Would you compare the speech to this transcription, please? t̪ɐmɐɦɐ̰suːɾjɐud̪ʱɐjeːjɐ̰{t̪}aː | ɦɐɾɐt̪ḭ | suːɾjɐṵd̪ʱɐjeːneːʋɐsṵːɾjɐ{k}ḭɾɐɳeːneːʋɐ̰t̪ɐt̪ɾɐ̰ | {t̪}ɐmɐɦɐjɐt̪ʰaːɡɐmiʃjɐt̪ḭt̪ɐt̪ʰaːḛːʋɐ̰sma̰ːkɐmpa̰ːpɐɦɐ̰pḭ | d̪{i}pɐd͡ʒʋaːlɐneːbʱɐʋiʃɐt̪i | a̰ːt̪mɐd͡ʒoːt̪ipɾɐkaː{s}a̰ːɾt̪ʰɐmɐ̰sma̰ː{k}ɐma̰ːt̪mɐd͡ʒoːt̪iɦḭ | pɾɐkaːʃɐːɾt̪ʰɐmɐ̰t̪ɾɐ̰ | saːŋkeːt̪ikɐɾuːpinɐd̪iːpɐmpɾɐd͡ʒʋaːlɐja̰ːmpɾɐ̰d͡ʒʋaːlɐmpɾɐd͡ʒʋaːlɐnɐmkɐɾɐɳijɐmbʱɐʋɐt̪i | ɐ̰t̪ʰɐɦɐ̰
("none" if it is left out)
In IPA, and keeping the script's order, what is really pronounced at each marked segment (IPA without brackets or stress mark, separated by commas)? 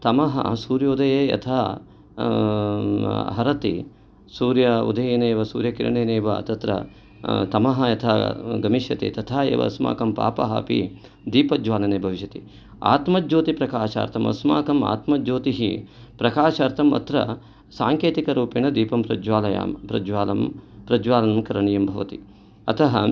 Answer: t̪ʰ, k, t̪, iː, ʃ, k